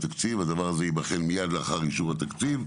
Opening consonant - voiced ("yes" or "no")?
no